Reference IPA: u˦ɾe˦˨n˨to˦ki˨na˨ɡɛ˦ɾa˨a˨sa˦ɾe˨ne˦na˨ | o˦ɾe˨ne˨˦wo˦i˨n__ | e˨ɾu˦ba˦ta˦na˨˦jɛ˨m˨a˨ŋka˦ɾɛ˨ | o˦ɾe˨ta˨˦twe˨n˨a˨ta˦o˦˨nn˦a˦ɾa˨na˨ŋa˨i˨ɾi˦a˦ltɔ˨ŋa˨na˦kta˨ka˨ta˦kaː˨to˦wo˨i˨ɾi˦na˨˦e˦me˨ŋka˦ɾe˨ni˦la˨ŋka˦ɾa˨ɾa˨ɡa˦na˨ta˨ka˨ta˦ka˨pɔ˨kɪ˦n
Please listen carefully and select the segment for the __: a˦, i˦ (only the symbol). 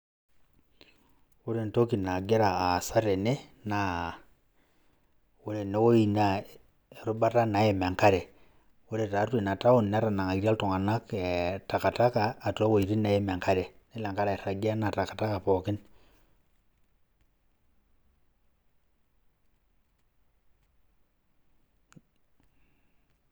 a˦